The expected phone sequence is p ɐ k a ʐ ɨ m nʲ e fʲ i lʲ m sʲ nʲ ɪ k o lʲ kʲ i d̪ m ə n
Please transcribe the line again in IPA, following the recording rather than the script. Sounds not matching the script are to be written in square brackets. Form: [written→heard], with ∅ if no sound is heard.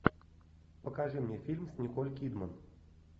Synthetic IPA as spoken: p [ɐ→ə] k a ʐ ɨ m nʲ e fʲ i lʲ m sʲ nʲ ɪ k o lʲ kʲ i d̪ m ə n